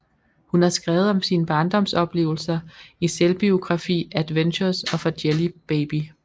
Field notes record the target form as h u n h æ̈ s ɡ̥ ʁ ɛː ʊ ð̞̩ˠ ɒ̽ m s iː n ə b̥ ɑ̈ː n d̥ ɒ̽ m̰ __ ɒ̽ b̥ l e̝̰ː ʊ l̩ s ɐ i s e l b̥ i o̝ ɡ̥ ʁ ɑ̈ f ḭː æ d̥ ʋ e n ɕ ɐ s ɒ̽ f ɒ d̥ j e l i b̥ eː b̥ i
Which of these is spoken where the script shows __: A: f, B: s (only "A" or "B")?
B